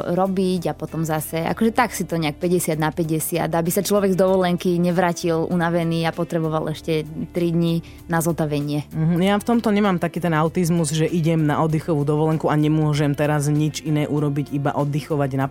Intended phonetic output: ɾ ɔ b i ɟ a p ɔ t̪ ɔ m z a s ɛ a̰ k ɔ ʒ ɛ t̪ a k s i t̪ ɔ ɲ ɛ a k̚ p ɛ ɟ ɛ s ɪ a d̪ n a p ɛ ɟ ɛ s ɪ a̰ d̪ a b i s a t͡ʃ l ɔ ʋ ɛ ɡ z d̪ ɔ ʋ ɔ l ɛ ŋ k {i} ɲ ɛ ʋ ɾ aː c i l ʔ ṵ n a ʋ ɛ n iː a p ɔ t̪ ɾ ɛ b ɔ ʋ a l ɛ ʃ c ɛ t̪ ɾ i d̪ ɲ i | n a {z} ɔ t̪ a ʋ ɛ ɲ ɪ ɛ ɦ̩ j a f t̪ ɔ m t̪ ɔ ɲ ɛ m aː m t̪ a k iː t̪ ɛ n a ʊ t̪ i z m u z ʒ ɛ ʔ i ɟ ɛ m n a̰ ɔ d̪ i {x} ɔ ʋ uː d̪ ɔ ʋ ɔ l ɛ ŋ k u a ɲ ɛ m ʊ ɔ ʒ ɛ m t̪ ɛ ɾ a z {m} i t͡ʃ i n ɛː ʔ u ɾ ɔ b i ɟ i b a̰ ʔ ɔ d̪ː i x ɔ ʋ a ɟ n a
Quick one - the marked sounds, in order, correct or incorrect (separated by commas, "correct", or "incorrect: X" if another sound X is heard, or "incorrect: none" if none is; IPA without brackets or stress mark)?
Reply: correct, correct, correct, incorrect: ɲ